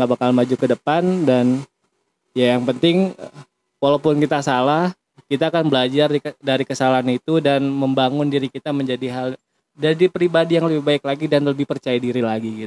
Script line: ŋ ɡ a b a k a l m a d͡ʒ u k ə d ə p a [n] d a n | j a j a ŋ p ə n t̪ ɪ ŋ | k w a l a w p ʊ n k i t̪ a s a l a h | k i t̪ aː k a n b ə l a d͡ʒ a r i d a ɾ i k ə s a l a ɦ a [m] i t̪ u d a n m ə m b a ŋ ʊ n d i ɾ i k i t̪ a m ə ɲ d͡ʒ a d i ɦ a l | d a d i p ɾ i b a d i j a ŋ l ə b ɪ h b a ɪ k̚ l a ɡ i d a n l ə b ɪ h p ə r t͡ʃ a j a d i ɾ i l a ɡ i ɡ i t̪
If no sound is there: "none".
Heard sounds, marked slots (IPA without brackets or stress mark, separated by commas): n, n